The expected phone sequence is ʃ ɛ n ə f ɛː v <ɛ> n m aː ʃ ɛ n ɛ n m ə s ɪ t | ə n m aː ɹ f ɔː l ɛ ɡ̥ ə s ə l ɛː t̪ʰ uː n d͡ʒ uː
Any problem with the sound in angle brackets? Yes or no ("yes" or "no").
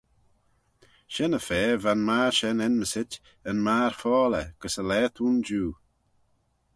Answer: yes